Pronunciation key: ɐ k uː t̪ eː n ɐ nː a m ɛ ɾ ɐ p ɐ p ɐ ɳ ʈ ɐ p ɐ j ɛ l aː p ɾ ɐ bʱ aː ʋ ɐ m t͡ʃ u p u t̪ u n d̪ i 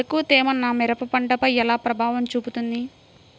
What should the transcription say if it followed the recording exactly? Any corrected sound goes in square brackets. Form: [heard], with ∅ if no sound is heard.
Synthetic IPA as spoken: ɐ k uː t̪ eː [m] ɐ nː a m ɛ ɾ ɐ p ɐ p ɐ ɳ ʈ ɐ p ɐ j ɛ l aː p ɾ ɐ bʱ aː ʋ ɐ m t͡ʃ [uː] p u t̪ u n d̪ i